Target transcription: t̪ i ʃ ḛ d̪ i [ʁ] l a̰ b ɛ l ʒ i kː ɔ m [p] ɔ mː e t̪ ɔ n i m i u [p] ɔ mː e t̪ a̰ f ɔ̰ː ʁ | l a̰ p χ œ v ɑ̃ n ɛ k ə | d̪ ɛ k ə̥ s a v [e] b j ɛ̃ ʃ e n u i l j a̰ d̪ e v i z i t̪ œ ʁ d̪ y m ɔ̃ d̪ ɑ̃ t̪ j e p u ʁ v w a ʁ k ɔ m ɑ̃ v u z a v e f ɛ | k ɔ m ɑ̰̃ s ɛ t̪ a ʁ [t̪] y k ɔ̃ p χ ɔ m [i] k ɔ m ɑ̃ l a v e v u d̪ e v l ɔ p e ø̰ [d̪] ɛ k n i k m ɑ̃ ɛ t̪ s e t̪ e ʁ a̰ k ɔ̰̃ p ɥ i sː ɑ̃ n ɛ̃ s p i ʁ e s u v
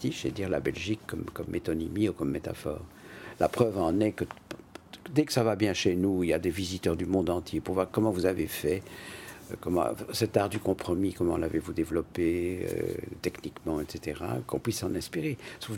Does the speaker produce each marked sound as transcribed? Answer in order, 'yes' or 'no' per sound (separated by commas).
yes, no, no, no, no, yes, no